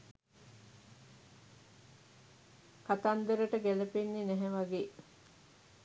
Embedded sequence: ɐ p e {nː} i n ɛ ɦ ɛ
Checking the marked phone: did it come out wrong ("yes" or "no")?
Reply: no